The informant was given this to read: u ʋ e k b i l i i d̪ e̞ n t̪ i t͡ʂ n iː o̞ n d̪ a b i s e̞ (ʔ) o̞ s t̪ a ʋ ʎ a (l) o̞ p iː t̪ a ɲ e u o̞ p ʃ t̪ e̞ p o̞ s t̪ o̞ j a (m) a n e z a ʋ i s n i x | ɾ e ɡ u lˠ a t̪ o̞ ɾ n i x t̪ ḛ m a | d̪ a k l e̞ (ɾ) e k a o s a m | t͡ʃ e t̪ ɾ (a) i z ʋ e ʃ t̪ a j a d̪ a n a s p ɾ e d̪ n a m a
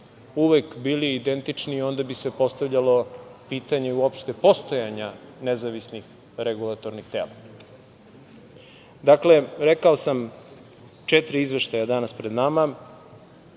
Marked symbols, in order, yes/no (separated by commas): no, yes, no, yes, no